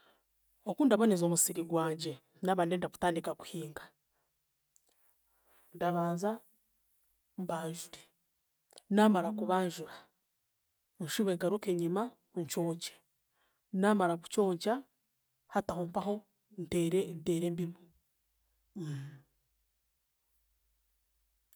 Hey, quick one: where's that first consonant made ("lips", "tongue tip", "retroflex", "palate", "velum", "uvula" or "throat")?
velum